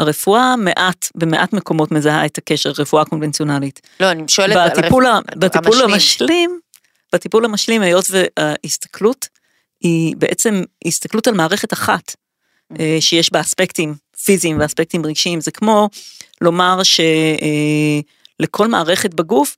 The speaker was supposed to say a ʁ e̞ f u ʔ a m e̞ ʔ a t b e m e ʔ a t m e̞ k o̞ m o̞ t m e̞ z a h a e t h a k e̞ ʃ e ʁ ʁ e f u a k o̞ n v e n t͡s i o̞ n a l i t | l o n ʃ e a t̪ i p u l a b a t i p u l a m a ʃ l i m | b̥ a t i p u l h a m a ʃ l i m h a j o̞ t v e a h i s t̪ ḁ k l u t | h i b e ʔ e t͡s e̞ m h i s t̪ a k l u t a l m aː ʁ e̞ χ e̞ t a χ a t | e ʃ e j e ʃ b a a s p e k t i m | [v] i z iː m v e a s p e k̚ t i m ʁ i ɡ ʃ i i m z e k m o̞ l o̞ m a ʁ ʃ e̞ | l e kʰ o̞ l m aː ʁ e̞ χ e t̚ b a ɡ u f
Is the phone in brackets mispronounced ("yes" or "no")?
yes